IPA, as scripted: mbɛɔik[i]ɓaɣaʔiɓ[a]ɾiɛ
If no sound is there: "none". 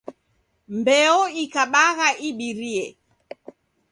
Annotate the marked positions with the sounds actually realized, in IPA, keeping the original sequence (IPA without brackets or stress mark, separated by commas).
a, i